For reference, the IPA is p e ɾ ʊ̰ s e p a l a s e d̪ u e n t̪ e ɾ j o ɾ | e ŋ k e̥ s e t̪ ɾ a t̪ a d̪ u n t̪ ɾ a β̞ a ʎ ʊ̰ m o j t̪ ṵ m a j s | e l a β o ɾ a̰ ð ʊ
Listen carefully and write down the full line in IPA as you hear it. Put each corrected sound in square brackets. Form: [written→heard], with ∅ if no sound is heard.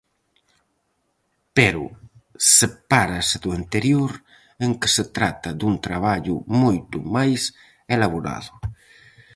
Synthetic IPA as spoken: p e ɾ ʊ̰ s e p a [l→ɾ] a s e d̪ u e n t̪ e ɾ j o ɾ | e ŋ k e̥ s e t̪ ɾ a t̪ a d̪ u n t̪ ɾ a β̞ a ʎ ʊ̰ m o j t̪ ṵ m a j s | e l a β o ɾ a̰ ð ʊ